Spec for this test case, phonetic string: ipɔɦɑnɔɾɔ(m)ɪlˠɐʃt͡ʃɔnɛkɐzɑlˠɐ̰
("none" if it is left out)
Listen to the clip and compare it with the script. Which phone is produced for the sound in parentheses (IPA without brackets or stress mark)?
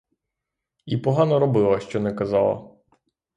b